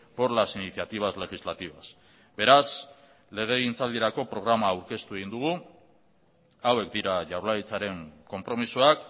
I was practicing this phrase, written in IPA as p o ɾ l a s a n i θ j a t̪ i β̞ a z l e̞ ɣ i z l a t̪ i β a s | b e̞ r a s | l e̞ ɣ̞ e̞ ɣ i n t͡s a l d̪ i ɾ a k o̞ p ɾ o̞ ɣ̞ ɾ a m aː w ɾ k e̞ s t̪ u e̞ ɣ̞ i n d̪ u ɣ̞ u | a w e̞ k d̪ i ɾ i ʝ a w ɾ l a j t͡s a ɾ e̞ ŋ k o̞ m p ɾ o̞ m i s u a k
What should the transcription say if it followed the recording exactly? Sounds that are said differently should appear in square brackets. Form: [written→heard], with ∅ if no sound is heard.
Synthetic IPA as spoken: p o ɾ l a s [a→i] n i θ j a t̪ i β̞ a z l e̞ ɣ i z l a t̪ i β a s | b e̞ [r→ɾ] a s | l e̞ ɣ̞ e̞ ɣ i n t͡s a l d̪ i ɾ a k o̞ p ɾ o̞ ɣ̞ ɾ a m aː w ɾ k e̞ s t̪ u e̞ ɣ̞ i n d̪ u ɣ̞ u | a w e̞ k d̪ i ɾ [i→a] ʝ a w ɾ l a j t͡s a ɾ e̞ ŋ k o̞ m p ɾ o̞ m i s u a k